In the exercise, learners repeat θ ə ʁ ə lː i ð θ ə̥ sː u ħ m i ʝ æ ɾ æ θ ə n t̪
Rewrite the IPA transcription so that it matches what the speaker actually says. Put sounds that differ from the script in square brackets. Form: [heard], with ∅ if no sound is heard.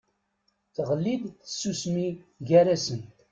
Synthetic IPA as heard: θ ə ʁ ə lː i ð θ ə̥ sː u [s] m i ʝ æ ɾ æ [s] ə n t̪